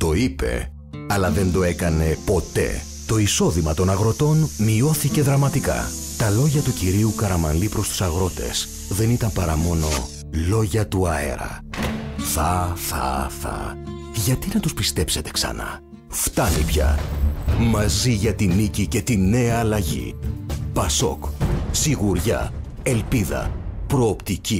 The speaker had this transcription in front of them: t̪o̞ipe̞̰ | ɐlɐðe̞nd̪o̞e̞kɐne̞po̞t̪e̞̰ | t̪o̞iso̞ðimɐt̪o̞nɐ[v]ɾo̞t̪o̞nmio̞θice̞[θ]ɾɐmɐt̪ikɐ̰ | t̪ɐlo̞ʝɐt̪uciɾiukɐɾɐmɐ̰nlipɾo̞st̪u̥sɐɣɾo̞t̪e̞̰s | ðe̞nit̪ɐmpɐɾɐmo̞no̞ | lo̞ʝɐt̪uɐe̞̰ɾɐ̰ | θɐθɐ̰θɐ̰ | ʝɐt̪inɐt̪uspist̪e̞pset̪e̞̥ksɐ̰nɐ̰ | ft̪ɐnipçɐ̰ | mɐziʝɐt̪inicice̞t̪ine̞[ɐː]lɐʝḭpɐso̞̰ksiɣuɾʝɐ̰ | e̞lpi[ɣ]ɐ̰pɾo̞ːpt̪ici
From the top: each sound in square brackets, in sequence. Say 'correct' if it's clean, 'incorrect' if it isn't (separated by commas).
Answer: incorrect, incorrect, correct, incorrect